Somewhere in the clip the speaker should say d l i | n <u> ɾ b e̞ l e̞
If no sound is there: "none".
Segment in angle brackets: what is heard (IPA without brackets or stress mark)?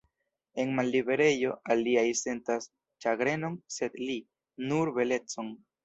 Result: u